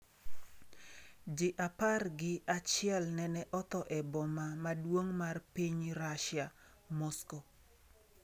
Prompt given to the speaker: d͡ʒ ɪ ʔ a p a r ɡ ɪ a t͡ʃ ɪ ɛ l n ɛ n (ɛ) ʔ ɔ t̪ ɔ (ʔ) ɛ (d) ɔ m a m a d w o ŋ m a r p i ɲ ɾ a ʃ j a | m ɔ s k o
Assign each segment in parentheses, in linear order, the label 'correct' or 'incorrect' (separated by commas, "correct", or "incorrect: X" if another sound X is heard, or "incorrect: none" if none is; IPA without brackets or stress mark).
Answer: correct, correct, incorrect: b